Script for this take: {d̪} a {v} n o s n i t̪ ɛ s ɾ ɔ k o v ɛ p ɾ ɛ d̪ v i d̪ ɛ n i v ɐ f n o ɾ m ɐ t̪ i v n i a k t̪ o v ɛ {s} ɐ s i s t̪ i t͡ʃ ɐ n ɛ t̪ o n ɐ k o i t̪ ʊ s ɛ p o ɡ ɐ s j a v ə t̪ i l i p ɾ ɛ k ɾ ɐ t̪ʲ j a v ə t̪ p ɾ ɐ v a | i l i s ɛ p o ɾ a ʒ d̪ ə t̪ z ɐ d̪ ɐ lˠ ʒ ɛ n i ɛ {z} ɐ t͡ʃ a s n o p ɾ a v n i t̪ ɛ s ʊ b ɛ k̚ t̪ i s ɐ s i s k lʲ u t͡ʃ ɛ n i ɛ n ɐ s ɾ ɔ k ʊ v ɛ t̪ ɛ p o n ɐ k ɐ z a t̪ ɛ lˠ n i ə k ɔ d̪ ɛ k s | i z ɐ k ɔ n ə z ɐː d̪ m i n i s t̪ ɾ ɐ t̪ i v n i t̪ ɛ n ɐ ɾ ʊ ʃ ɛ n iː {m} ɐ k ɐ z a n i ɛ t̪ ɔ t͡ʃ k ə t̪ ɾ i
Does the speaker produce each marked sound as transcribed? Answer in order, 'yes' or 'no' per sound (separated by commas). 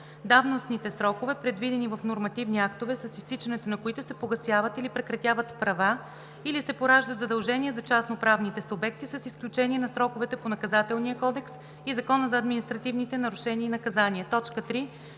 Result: yes, yes, yes, yes, no